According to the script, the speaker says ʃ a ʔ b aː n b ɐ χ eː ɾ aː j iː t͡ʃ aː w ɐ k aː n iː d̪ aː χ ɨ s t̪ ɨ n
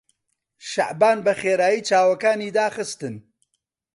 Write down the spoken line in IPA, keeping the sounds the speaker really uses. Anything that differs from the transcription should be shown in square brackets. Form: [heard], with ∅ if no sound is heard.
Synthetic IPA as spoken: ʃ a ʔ b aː n b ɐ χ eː ɾ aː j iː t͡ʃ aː w ɐ k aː n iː d̪ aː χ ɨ s t̪ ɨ n